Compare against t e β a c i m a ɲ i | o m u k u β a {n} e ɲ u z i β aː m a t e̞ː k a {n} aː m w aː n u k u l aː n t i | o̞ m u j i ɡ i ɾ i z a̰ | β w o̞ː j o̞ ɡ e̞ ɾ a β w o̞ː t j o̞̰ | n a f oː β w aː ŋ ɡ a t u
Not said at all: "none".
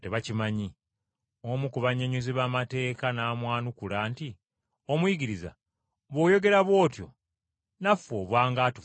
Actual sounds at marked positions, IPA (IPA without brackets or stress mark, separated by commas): ɲ, n